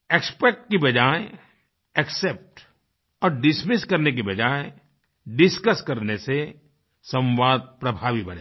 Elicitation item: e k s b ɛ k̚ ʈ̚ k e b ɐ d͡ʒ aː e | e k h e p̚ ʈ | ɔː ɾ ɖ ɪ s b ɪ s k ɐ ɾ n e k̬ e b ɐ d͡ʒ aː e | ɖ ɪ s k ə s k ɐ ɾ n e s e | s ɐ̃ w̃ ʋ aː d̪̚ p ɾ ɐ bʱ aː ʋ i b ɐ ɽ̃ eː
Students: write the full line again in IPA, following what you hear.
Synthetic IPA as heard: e k s p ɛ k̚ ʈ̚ k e b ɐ d͡ʒ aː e | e k s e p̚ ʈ | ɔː ɾ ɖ ɪ s m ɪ s k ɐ ɾ n e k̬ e b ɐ d͡ʒ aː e | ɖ ɪ s k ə s k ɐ ɾ n e s e | s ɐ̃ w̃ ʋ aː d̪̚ p ɾ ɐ bʱ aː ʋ i b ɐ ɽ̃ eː